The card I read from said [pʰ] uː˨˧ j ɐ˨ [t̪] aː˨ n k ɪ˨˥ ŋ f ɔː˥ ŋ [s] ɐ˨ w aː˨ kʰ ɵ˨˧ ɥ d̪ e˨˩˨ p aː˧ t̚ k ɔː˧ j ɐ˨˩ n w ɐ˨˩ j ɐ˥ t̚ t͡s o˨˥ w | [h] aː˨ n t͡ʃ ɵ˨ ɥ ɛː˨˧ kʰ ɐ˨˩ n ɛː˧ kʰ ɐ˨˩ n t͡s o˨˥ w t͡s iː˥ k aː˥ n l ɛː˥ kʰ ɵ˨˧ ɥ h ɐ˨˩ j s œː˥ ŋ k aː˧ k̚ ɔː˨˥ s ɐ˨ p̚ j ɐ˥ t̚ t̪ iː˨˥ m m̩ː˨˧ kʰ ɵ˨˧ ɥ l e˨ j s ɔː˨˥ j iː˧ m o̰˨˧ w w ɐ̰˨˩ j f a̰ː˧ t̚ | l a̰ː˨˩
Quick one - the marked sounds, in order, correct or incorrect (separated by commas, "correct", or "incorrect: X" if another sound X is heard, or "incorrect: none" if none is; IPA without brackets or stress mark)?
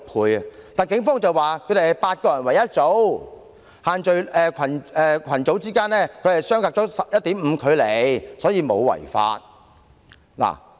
correct, correct, incorrect: t͡s, correct